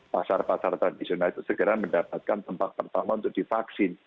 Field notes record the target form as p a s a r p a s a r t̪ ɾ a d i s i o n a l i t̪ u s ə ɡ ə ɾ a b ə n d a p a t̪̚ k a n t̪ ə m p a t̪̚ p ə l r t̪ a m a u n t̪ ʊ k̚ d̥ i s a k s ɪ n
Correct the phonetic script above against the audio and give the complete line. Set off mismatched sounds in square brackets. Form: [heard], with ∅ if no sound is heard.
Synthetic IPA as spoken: p a s a r p a s a r t̪ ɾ a d i s i o n a l i t̪ u s ə ɡ ə ɾ a [m] ə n d a p a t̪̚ k a n t̪ ə m p a t̪̚ p ə [∅] r t̪ a m a u n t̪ ʊ k̚ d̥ i [f] a k s ɪ n